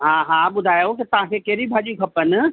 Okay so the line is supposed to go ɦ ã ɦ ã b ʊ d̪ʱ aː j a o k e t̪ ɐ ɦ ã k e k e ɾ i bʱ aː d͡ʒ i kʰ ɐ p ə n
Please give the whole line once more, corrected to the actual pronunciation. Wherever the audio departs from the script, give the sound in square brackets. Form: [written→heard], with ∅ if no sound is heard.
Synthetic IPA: ɦ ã ɦ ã b ʊ d̪ʱ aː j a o k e t̪ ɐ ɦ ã k e k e ɾ i bʱ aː d͡ʒ i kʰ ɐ p ə n

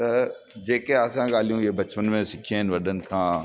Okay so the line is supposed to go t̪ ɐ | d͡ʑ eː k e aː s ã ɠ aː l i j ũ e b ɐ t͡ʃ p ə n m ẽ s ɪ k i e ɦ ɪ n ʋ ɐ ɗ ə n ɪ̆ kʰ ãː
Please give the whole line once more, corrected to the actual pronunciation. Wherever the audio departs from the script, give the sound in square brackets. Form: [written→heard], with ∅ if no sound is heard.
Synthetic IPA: t̪ ɐ | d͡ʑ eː k e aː s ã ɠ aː l i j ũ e b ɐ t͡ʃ p ə n m ẽ s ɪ [k→kʰ] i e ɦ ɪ n ʋ ɐ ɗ ə n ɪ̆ kʰ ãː

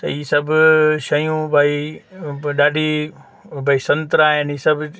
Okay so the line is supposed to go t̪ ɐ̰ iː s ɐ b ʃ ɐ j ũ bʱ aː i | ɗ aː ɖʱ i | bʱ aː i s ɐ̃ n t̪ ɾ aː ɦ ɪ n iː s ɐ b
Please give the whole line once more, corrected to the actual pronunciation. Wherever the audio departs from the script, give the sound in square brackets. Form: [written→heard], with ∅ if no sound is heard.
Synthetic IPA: t̪ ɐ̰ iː s ɐ b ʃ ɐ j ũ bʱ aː i | ɗ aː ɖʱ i | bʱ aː i s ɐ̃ n t̪ ɾ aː ɦ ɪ n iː s ɐ b

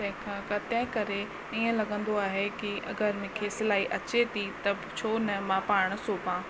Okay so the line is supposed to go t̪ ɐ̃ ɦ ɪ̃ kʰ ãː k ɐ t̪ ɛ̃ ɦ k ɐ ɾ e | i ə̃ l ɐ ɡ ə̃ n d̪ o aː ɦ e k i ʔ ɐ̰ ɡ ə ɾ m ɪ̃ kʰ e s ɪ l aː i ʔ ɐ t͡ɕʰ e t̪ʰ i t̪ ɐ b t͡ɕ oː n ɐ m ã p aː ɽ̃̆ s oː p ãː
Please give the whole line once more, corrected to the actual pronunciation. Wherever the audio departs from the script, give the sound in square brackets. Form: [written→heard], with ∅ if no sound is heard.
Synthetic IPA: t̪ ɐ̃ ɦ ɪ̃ kʰ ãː k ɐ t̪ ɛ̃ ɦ k ɐ ɾ e | i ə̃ l ɐ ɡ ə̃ n d̪ o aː ɦ e k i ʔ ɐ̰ ɡ ə ɾ m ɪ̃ kʰ e s ɪ l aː i ʔ ɐ [t͡ɕʰ→t͡ɕ] e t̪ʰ i t̪ ɐ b [t͡ɕ→t͡ɕʰ] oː n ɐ m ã p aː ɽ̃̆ s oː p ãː

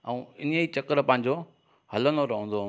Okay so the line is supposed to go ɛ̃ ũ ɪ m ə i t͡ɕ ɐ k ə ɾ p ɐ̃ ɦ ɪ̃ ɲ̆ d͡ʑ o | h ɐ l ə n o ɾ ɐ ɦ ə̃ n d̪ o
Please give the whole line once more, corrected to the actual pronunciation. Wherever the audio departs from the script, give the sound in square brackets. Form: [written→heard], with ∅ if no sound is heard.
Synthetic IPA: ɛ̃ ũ ɪ [m→n] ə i t͡ɕ ɐ k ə ɾ p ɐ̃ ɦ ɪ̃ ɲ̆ d͡ʑ o | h ɐ l ə n o ɾ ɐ ɦ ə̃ n d̪ o

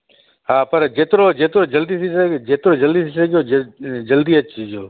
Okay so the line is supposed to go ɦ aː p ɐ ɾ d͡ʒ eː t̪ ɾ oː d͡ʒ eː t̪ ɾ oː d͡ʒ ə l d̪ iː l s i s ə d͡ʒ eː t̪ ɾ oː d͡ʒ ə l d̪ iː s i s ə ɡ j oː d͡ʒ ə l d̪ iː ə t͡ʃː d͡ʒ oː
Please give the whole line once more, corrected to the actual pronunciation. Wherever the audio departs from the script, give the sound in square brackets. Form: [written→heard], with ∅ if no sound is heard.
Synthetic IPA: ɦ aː p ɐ ɾ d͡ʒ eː t̪ ɾ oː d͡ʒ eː t̪ ɾ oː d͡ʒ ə l d̪ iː [l→∅] s i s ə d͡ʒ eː t̪ ɾ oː d͡ʒ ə l d̪ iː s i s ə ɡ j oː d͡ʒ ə l d̪ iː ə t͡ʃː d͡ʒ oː

